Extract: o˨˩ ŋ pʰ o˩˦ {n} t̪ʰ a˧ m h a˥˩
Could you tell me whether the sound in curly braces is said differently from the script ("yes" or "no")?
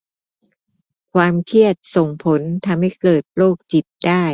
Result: no